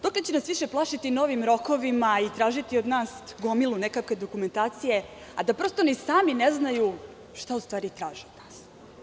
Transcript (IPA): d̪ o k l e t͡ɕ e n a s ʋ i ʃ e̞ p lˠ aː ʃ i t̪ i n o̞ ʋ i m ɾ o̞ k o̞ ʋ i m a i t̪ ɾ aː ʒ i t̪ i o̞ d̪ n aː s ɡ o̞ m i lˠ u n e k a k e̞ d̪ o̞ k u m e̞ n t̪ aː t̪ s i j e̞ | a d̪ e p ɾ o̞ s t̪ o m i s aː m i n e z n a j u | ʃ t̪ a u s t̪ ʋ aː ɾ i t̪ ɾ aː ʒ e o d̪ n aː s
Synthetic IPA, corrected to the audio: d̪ o k l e t͡ɕ e n a s ʋ i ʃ e̞ p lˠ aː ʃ i t̪ i n o̞ ʋ i m ɾ o̞ k o̞ ʋ i m a i t̪ ɾ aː ʒ i t̪ i o̞ d̪ n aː s ɡ o̞ m i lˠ u n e k a k e̞ d̪ o̞ k u m e̞ n t̪ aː t̪ s i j e̞ | a d̪ a p ɾ o̞ s t̪ o n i s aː m i n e z n a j u | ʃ t̪ a u s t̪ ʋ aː ɾ i t̪ ɾ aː ʒ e o d̪ n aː s